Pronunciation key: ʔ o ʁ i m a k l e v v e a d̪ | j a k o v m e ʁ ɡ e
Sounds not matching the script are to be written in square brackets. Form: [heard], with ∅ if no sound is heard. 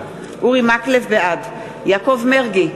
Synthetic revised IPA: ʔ [u] ʁ i m a k l e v [b] e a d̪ | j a k o v m e ʁ ɡ [i]